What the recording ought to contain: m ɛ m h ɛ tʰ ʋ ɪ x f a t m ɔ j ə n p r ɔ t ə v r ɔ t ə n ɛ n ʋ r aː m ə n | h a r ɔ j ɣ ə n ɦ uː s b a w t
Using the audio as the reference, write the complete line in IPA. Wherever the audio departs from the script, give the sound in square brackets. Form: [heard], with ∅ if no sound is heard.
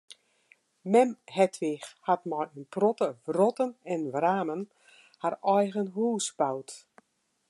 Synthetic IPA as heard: m ɛ m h ɛ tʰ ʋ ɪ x [h] a t m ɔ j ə n p r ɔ t ə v r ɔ t ə n ɛ n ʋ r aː m ə n | h a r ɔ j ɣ ə n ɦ uː s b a w t